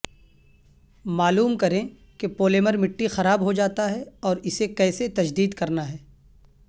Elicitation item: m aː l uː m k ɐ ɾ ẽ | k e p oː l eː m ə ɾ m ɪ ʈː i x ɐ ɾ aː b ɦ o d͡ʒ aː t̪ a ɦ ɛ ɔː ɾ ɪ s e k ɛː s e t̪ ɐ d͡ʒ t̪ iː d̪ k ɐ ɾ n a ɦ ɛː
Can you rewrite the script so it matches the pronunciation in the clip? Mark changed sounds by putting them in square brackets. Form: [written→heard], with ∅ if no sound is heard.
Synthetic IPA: m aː l uː m k ɐ ɾ ẽ | k e p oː l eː m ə ɾ m ɪ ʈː i x ɐ ɾ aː b ɦ o d͡ʒ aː t̪ a ɦ ɛ ɔː ɾ ɪ s e k ɛː s e t̪ ɐ d͡ʒ [t̪→d̪] iː d̪ k ɐ ɾ n a ɦ ɛː